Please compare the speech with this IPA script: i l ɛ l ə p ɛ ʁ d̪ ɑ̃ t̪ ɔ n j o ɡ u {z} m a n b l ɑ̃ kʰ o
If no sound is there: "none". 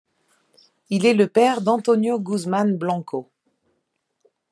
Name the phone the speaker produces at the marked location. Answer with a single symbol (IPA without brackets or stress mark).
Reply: z